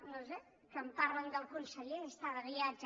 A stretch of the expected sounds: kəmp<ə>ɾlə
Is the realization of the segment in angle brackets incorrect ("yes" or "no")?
yes